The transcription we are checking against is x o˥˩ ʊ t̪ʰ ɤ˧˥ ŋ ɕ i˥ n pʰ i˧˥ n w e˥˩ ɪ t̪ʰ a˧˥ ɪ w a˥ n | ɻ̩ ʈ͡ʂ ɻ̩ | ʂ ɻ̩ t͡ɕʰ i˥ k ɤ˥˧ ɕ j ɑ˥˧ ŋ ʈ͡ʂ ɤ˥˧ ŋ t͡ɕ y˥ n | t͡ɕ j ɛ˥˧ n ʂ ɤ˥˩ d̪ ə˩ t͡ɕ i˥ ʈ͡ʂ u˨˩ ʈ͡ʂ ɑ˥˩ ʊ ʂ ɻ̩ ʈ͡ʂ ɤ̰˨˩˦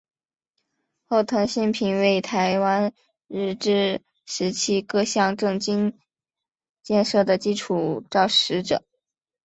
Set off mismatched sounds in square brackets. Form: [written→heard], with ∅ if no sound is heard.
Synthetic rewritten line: x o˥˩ ʊ t̪ʰ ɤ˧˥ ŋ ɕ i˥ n pʰ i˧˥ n w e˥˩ ɪ t̪ʰ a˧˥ ɪ w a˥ n | ɻ̩ ʈ͡ʂ ɻ̩ | ʂ ɻ̩ t͡ɕʰ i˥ k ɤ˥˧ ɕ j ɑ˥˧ ŋ ʈ͡ʂ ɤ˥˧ ŋ t͡ɕ [y˥→i˥] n | t͡ɕ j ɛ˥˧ n ʂ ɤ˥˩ d̪ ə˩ t͡ɕ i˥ [ʈ͡ʂ→ʈ͡ʂʰ] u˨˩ ʈ͡ʂ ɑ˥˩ ʊ ʂ ɻ̩ ʈ͡ʂ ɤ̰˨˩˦